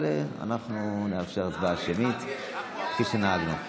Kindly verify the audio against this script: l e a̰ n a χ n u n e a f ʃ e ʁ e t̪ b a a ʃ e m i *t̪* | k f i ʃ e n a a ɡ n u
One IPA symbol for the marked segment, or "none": t̪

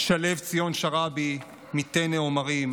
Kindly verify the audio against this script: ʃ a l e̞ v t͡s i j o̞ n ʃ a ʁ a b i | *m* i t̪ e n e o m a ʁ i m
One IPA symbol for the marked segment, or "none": m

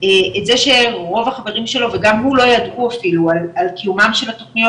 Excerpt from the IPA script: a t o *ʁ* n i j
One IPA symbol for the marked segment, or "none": χ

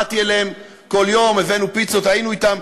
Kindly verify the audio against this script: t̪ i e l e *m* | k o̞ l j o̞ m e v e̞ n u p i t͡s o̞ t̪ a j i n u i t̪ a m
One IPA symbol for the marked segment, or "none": m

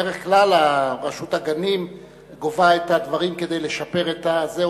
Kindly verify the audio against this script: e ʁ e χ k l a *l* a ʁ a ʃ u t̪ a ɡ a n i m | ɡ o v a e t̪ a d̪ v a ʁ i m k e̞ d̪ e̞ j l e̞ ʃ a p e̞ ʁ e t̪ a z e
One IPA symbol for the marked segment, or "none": l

